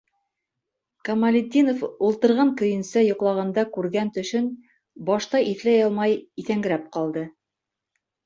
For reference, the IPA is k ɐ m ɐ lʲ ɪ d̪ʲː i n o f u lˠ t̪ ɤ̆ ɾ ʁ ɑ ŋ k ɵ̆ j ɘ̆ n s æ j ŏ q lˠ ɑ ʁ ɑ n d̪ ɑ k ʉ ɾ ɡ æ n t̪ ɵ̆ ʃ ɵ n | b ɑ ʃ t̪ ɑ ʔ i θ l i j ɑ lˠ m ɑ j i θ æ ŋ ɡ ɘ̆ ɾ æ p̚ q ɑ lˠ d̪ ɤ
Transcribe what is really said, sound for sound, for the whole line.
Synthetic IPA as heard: k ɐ m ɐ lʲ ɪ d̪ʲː i n o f u lˠ t̪ ɤ̆ ɾ ʁ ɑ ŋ k ɵ̆ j ɘ̆ n s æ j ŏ q lˠ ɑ ʁ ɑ n d̪ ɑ k ʉ ɾ ɡ æ n t̪ ɵ̆ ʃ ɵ n | b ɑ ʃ t̪ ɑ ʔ i θ l æ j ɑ lˠ m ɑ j i θ æ ŋ ɡ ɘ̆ ɾ æ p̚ q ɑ lˠ d̪ ɤ